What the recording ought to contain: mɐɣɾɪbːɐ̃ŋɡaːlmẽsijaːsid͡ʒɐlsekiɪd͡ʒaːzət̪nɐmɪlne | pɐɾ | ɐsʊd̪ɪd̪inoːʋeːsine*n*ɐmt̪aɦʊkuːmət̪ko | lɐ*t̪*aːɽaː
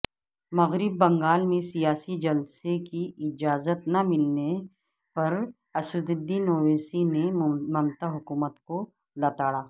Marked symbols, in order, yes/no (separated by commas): no, yes